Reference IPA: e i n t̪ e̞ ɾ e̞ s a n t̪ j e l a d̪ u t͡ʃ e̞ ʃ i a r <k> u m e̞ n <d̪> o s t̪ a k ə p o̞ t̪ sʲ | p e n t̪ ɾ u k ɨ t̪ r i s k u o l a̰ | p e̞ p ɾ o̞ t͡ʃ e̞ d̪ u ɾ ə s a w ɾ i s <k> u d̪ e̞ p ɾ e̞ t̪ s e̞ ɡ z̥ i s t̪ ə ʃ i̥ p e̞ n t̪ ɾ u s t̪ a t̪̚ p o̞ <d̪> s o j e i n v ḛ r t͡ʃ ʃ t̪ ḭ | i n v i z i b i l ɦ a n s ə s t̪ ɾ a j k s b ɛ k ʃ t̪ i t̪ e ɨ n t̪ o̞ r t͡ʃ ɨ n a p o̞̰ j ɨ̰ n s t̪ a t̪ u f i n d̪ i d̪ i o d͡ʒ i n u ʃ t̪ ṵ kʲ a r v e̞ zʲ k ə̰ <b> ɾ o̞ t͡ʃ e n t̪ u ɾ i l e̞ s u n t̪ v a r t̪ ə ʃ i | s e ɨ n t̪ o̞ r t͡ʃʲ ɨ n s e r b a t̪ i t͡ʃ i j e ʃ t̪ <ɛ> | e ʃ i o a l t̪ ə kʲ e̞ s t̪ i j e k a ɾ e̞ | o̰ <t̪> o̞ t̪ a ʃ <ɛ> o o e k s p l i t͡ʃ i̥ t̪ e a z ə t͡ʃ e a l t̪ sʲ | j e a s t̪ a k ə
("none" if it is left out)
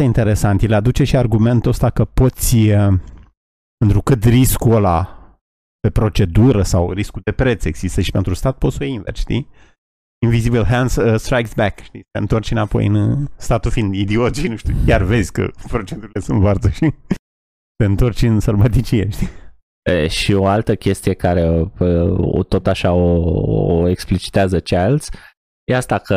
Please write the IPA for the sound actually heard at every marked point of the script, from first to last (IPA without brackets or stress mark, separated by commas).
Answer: ɡ, t̪, k, t̪, p, i, t̪, a